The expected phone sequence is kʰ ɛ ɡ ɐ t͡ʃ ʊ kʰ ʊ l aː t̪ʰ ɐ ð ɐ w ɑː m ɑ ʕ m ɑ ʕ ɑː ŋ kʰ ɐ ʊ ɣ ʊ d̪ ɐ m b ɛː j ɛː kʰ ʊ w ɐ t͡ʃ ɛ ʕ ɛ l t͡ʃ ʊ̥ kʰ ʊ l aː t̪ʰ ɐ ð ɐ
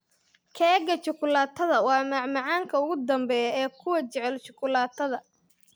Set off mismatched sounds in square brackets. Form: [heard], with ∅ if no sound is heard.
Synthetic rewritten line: kʰ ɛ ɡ ɐ t͡ʃ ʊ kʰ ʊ l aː t̪ʰ ɐ ð ɐ w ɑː m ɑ ʕ m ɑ ʕ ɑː ŋ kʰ ɐ ʊ ɣ ʊ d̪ ɐ m b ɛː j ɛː kʰ ʊ w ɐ t͡ʃ ɛ ʕ ɛ l t͡ʃ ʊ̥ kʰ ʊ l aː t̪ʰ ɐ ð ɐ